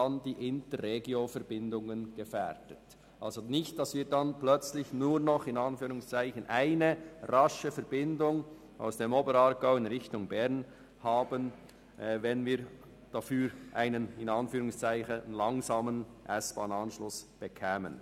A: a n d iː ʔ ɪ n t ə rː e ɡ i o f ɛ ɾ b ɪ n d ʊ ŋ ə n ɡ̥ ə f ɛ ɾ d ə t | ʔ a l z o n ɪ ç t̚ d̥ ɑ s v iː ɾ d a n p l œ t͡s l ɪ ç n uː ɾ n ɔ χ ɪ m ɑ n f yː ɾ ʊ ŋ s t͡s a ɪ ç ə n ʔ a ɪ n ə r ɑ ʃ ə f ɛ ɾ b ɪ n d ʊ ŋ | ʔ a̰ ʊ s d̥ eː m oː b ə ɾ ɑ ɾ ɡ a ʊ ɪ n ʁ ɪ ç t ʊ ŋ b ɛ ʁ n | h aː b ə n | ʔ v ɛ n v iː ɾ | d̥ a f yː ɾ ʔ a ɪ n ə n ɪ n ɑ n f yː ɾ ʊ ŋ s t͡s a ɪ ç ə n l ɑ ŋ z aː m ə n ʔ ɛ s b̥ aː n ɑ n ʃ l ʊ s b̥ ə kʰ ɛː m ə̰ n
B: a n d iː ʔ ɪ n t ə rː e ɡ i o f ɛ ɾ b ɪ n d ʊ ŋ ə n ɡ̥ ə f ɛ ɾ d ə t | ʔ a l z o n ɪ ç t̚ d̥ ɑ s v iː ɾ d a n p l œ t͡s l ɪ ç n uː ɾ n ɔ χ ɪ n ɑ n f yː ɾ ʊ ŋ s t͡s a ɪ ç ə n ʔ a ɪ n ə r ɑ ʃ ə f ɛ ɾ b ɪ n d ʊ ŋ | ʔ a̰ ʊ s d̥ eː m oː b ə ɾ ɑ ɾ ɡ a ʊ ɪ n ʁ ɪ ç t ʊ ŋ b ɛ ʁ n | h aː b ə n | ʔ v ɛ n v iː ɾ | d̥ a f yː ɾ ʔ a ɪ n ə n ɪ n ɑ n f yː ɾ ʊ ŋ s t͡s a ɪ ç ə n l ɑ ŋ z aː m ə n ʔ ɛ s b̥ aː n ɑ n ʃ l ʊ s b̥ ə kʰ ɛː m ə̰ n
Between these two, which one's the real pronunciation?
B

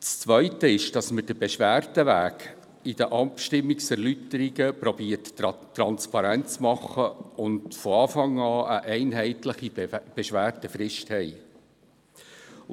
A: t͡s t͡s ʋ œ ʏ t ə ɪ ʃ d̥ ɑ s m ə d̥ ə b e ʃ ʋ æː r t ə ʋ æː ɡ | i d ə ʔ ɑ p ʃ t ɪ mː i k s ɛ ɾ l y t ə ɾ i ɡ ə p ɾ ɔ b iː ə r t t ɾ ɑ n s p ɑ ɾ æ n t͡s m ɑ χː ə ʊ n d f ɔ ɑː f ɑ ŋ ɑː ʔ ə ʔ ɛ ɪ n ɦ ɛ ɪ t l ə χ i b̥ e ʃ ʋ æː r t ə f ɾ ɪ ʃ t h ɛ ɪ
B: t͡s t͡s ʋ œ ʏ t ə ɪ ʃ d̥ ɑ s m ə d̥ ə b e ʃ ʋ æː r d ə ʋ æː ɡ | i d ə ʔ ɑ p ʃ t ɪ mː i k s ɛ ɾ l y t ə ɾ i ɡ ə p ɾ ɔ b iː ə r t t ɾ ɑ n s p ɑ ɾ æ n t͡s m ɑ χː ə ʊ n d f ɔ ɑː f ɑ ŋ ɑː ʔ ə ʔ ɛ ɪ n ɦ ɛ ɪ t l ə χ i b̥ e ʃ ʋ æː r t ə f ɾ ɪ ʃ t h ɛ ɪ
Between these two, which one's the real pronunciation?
A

